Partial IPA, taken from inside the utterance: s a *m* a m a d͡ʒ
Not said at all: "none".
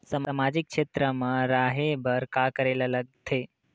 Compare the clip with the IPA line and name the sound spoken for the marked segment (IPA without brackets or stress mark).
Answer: m